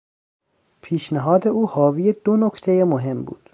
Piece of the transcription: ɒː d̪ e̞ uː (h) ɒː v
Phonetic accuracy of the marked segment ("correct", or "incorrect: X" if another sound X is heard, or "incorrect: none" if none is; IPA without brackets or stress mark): correct